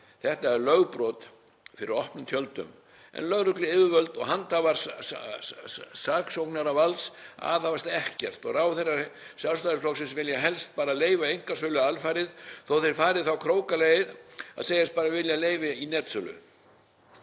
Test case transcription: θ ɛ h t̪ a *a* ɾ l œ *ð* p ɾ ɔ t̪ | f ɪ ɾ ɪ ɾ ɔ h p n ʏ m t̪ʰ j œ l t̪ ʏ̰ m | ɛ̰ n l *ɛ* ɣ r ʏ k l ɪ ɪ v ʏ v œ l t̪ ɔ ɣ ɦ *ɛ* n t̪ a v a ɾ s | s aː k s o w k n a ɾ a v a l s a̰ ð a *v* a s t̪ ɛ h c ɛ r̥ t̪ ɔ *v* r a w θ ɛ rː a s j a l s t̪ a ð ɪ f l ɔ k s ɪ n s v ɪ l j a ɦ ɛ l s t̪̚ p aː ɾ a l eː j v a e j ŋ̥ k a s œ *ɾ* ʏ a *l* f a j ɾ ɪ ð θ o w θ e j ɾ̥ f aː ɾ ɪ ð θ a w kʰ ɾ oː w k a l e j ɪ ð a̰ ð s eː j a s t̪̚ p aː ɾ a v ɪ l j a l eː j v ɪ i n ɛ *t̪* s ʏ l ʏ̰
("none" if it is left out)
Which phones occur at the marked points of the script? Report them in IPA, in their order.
ɛ, ɣ, œ, a, v, ɣ, l, l, t̪

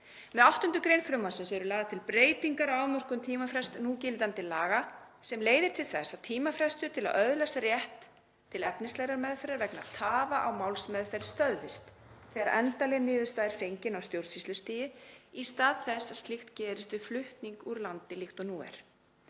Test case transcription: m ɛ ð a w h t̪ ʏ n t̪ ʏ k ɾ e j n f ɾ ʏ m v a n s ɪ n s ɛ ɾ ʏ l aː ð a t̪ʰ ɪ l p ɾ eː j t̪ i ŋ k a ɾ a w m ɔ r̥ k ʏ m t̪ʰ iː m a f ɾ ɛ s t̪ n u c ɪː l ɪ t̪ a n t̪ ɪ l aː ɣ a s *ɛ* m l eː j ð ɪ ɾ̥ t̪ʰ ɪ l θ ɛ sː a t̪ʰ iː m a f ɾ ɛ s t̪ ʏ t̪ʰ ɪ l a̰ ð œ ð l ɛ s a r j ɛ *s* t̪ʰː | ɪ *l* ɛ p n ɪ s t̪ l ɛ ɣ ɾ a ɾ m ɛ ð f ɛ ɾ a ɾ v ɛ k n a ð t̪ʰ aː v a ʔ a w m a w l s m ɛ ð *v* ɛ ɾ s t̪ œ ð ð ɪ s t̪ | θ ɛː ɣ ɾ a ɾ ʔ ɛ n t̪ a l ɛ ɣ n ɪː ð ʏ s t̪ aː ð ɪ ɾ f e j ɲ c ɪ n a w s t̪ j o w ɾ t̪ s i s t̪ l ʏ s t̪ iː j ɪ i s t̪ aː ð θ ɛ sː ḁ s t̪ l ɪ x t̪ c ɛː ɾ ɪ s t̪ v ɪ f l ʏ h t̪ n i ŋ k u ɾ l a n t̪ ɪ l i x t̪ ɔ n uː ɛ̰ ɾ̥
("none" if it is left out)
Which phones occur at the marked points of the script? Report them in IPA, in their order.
ɛ, h, l, f

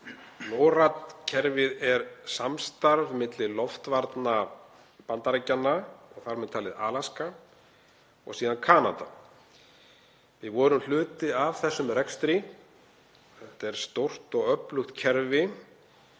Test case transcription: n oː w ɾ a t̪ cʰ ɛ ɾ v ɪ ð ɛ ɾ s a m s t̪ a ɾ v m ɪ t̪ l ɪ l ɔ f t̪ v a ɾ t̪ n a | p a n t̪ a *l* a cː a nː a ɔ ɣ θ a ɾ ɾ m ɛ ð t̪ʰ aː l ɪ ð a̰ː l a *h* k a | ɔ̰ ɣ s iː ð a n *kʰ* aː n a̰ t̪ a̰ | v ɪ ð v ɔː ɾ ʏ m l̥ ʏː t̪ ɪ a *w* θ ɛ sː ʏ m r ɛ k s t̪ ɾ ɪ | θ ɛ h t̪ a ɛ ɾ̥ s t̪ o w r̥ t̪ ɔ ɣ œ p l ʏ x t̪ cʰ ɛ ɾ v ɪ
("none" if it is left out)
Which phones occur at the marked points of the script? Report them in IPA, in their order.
ɾ, s, kʰ, v

